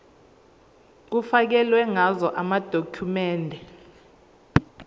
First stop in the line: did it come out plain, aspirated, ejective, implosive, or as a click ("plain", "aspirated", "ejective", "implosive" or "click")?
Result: plain